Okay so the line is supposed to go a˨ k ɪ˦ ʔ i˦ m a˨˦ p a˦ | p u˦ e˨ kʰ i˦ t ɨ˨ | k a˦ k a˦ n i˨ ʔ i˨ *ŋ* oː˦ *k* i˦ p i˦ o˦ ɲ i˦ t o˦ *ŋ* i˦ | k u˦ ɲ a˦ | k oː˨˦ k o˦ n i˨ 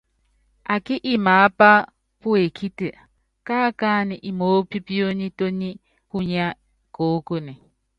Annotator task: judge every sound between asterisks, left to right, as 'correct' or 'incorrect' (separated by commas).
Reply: incorrect, incorrect, incorrect